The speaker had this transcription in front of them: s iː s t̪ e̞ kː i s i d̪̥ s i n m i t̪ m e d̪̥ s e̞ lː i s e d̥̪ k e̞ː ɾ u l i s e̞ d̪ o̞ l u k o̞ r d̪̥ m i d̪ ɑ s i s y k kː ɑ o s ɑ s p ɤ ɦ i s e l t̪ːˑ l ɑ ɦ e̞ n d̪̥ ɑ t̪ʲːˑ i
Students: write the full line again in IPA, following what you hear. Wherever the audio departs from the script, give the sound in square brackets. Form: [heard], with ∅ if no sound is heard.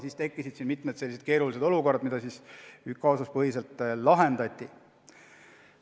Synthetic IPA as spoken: s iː s t̪ e̞ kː i s i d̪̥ s i n m i t̪ m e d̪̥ s e̞ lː i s e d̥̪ k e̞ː ɾ u l i s e̞ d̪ o̞ l u k o̞ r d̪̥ m i d̪ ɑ s i s y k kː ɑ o s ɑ s p ɤ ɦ i s e l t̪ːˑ l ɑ ɦ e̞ n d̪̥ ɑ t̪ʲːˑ i